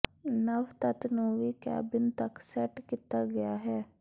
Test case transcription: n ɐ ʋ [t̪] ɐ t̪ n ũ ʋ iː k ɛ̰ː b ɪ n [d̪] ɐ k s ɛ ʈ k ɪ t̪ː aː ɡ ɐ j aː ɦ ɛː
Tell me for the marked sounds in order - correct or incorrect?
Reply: correct, incorrect: t̪

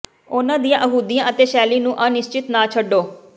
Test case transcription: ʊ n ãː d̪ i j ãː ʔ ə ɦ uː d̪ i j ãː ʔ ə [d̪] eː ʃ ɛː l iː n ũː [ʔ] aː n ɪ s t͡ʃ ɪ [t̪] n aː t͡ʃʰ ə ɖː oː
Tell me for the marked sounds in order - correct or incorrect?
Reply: incorrect: t̪, correct, correct

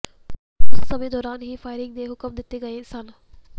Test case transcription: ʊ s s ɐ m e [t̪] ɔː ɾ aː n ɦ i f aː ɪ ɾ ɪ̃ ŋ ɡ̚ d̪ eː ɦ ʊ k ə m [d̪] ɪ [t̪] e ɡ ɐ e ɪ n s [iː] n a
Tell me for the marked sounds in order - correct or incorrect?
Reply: incorrect: d̪, correct, correct, incorrect: aː

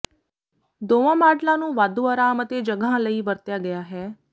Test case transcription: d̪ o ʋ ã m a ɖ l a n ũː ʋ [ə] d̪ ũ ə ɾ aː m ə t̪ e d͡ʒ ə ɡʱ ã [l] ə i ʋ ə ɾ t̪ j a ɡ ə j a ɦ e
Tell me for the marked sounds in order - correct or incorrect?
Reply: incorrect: a, correct

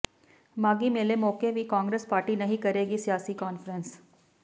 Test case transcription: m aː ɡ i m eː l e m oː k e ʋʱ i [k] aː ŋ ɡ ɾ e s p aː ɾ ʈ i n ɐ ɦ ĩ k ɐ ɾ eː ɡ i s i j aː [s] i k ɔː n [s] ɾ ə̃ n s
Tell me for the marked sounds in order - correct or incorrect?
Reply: correct, correct, incorrect: f

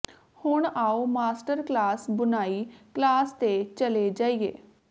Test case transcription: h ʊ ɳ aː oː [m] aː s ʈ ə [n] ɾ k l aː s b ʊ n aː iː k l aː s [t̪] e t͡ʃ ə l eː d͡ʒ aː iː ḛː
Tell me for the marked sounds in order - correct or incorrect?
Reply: correct, incorrect: none, correct

